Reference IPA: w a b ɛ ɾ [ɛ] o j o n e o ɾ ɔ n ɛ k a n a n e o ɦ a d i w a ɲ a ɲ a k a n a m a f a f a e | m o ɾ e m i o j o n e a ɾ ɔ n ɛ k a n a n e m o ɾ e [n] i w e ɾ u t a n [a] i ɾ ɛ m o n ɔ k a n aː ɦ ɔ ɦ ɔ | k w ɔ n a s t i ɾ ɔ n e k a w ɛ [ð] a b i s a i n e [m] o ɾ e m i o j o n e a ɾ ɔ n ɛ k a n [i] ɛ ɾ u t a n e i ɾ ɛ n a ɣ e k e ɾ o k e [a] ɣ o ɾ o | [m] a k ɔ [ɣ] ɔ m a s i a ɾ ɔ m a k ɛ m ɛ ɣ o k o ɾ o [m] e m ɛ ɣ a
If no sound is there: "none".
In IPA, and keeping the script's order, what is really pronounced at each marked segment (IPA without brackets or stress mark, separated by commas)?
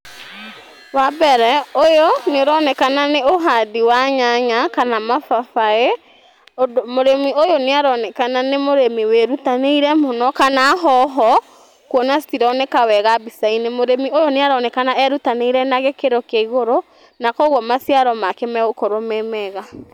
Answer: ɛ, m, e, ɣ, m, a, i, n, ɣ, m